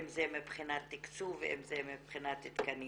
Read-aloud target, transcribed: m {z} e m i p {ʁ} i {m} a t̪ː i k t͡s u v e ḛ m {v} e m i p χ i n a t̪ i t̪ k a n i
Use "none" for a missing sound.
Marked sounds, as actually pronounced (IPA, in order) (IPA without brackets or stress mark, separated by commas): z, χ, n, z